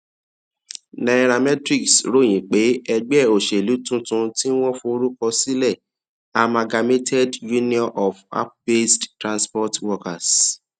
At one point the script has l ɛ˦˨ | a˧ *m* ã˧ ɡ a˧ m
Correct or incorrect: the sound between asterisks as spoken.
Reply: correct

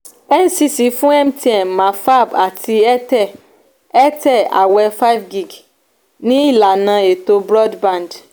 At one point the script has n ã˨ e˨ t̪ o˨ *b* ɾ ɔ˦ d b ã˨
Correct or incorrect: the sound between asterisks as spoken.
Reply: correct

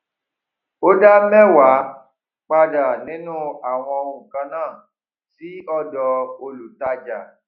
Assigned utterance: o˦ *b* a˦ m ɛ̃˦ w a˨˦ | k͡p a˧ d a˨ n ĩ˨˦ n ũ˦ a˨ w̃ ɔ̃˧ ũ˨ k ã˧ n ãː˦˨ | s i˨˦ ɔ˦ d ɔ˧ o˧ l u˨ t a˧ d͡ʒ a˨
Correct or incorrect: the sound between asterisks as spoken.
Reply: incorrect: d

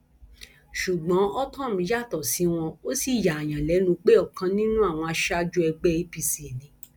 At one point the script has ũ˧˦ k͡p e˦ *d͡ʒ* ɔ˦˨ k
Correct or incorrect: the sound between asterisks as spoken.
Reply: incorrect: none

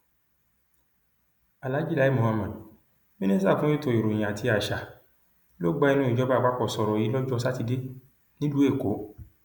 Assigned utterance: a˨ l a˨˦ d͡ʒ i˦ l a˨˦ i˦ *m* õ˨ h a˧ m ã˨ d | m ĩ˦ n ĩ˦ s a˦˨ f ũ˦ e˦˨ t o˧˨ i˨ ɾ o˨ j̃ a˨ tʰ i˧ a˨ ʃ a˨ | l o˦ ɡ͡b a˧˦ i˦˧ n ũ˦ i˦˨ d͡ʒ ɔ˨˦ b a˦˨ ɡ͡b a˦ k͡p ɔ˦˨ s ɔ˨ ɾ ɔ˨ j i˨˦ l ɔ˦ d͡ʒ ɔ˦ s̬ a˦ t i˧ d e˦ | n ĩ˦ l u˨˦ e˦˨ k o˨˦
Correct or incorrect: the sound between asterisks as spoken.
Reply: correct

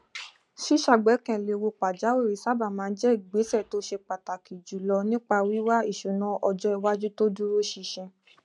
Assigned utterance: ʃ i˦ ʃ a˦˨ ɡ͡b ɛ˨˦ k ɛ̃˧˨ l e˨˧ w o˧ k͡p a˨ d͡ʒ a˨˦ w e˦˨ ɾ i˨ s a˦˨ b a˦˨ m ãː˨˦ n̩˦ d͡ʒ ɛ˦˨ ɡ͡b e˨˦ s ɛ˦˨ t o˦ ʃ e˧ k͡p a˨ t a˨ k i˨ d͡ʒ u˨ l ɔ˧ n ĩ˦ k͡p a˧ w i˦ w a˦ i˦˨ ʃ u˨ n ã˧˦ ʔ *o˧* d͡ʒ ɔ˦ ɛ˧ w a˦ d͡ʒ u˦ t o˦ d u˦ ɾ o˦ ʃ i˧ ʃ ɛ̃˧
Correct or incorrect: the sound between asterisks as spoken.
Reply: incorrect: ɔ˧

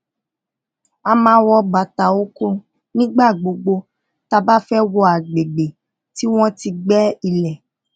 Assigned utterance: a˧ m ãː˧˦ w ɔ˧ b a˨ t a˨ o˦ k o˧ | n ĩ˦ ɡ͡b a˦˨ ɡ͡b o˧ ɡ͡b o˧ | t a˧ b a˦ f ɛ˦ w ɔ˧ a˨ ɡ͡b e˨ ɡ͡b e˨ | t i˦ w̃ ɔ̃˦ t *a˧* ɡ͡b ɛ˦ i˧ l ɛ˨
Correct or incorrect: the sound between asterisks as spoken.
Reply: incorrect: i˧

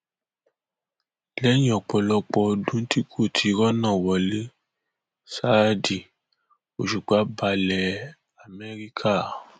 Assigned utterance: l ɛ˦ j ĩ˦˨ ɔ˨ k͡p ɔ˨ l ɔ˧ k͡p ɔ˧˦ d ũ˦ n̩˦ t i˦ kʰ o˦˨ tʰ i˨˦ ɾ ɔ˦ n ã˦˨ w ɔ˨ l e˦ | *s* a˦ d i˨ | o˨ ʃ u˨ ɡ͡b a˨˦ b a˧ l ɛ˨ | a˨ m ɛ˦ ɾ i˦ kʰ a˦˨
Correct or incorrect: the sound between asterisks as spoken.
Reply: correct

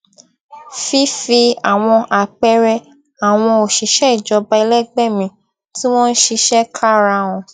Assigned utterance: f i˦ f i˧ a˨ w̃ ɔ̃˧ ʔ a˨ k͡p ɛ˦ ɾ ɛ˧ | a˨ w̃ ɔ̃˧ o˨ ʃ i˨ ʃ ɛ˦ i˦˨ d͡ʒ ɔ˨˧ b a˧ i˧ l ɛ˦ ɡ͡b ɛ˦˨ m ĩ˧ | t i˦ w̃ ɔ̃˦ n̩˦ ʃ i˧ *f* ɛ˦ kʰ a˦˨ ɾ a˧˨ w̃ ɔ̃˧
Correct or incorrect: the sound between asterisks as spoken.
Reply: incorrect: ʃ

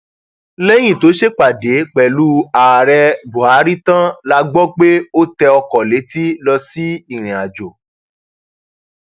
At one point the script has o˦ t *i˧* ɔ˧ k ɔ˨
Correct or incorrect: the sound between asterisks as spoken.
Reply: incorrect: ɛ˧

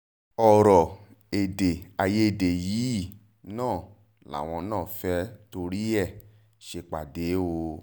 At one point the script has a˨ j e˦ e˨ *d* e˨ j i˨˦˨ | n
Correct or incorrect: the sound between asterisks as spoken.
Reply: correct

